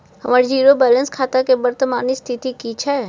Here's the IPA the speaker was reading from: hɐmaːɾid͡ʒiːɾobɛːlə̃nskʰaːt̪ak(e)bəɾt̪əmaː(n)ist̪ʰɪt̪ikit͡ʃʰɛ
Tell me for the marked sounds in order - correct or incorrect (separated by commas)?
correct, correct